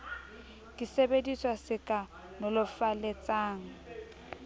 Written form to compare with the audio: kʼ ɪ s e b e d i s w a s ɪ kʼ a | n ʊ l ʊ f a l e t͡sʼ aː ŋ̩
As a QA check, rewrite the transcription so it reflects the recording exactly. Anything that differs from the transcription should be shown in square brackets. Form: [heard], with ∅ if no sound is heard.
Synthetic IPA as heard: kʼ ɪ s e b e d i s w a s ɪ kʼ a | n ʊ l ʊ f a l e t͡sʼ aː ŋ̩